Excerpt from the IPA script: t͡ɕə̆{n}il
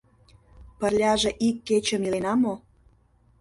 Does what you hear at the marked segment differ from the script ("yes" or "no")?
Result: yes